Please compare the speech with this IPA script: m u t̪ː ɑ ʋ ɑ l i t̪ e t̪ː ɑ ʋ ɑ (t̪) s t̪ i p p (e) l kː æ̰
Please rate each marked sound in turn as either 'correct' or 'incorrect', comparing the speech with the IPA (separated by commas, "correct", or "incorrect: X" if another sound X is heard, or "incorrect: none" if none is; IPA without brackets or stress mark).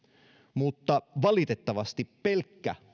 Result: incorrect: none, correct